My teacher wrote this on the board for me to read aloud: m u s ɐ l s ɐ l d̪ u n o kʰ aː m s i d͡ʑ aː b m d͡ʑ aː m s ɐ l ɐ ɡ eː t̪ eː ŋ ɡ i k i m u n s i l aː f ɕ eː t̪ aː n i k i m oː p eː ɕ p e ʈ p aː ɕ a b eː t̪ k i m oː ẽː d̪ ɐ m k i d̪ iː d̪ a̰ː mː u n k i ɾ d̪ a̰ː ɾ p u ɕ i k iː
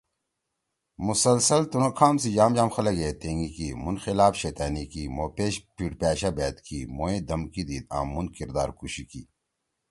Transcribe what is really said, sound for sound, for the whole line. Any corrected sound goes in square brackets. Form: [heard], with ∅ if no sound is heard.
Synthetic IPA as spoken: m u s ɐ l s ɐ l [t̪] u n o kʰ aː m s i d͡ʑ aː [∅] m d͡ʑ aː m [x] ɐ l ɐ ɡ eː t̪ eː ŋ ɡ i k i m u n [x] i l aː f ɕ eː t̪ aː n i k i m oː p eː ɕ p [i] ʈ p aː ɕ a b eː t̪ k i m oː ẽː d̪ ɐ m k i d̪ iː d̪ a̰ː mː u n k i ɾ d̪ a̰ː ɾ [k] u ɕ i k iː